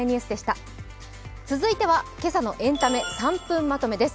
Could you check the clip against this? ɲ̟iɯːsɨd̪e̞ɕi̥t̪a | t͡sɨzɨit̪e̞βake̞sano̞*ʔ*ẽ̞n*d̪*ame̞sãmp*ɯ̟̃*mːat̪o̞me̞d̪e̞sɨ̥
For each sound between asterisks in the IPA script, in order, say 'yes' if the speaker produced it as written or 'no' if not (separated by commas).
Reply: yes, no, yes